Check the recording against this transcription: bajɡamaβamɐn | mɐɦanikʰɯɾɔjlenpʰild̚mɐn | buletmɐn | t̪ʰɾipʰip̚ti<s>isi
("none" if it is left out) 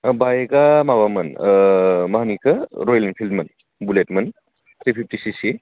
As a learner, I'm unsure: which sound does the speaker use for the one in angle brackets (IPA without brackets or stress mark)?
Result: s